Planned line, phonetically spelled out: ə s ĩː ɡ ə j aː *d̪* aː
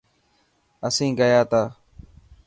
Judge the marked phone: incorrect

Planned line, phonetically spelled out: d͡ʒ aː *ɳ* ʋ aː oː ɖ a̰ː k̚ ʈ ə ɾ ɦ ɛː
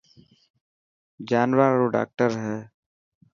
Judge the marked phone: incorrect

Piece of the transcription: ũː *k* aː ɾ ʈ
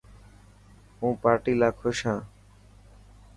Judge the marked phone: incorrect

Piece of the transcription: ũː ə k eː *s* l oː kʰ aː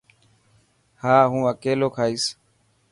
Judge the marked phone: incorrect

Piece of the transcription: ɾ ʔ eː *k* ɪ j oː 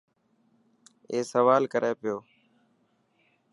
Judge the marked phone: incorrect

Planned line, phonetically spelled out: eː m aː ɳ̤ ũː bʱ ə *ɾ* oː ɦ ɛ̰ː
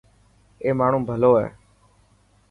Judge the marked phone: incorrect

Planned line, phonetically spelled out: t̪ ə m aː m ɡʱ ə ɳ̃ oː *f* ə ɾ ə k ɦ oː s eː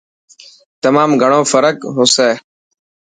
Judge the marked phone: correct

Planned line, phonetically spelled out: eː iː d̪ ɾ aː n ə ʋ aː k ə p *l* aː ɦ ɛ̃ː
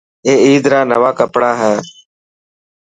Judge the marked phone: incorrect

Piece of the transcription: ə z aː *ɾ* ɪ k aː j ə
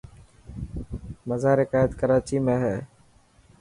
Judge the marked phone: correct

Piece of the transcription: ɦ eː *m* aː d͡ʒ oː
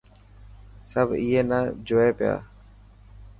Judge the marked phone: incorrect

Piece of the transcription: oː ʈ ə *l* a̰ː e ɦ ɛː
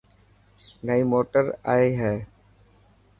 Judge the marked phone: incorrect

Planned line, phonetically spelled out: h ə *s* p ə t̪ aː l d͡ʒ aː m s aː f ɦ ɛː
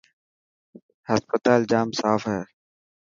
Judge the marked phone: correct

